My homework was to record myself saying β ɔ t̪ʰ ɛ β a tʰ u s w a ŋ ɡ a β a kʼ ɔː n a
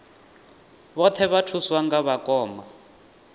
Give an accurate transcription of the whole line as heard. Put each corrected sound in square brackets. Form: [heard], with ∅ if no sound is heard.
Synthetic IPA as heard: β ɔ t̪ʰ ɛ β a tʰ u s w a ŋ ɡ a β a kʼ ɔː [m] a